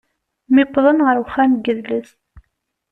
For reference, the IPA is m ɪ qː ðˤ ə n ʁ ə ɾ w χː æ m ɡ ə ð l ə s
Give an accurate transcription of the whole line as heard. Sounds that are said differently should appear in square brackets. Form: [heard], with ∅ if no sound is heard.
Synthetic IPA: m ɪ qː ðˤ ə n ʁ ə ɾ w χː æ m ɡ ə ð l ə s

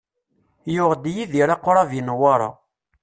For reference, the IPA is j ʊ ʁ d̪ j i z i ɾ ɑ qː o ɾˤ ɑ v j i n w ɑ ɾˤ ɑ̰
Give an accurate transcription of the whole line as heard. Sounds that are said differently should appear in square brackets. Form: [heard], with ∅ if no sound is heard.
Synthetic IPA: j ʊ ʁ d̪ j i [ð] i ɾ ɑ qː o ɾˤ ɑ v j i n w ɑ ɾˤ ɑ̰

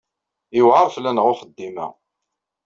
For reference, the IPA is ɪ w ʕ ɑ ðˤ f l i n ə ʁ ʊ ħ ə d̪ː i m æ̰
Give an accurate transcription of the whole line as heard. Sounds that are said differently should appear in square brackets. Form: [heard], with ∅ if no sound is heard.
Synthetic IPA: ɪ w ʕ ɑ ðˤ f l [æ] n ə ʁ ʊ [χ] ə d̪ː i m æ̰

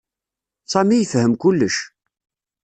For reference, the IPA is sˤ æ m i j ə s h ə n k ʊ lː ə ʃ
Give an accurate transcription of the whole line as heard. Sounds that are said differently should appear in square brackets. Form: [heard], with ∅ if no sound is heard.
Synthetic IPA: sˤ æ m i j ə [f] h ə [m] k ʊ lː ə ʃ

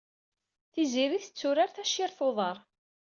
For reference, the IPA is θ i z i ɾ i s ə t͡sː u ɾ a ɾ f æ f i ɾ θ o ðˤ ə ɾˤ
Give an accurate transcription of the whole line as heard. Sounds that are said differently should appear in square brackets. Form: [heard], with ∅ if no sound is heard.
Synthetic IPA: θ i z i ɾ i [θ] ə t͡sː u ɾ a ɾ [θ] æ [ʃ] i ɾ θ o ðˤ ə ɾˤ

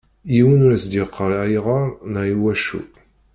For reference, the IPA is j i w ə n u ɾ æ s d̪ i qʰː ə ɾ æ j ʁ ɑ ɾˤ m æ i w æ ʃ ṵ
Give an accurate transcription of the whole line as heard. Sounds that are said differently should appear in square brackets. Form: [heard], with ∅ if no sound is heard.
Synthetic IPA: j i w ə n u ɾ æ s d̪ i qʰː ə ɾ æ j ʁ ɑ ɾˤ [n] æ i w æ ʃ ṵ

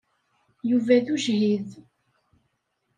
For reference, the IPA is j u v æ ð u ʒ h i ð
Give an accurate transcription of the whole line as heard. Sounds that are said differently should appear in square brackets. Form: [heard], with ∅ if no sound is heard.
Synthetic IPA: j u v æ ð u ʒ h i ð

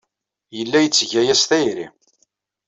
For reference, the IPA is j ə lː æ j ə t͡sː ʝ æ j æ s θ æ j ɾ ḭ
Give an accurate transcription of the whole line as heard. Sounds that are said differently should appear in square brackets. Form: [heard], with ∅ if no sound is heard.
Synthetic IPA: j ə lː æ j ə t͡sː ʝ æ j æ s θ æ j ɾ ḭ

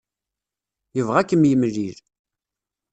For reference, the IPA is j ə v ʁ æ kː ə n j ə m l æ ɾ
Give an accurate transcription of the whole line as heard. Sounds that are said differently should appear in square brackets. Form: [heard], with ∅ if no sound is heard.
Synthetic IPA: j ə v ʁ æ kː ə [m] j ə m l [i] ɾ

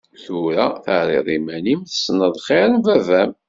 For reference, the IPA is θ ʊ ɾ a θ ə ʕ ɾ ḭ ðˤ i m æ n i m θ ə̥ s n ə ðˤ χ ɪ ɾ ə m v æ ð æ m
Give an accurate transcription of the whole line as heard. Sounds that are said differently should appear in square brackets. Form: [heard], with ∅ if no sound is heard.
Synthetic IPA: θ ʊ ɾ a θ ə ʕ ɾ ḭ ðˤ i m æ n i m θ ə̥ s n ə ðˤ χ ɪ ɾ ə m v æ [v] æ m

